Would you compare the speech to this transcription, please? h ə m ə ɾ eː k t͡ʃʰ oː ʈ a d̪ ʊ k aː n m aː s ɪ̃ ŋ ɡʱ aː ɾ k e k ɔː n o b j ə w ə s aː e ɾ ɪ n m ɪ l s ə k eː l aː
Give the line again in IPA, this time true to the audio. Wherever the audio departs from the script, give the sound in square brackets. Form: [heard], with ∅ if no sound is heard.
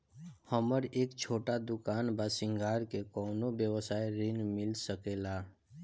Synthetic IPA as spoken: h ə m ə ɾ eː k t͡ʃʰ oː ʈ a d̪ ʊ k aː n [b] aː s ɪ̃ ŋ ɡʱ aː ɾ k e k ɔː n o b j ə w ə s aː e ɾ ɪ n m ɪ l s ə k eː l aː